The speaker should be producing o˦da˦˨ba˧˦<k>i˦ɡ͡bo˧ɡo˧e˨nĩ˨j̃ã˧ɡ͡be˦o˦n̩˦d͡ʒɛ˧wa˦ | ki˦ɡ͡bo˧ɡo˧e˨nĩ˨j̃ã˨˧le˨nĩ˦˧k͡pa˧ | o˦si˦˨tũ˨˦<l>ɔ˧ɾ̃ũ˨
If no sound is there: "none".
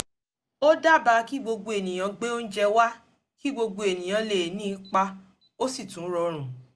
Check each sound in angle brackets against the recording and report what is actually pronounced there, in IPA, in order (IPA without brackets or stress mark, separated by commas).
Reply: k, ɾ